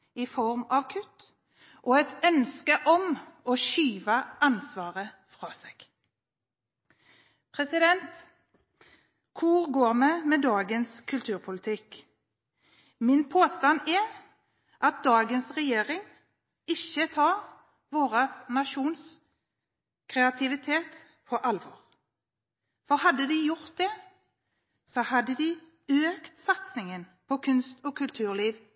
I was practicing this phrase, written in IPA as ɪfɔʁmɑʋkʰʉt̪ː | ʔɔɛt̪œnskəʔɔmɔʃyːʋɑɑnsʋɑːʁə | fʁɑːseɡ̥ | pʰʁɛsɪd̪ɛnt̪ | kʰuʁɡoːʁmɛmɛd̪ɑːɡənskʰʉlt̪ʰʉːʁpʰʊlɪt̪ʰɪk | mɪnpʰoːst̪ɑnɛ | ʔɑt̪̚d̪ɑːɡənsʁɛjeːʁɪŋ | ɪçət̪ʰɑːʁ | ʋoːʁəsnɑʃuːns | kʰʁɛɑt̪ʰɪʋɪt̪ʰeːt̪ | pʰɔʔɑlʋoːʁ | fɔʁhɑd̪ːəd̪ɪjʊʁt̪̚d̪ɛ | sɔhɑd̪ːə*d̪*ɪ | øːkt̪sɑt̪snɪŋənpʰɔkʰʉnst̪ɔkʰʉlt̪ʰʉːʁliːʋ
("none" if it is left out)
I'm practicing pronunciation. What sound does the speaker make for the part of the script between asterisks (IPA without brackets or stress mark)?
d̪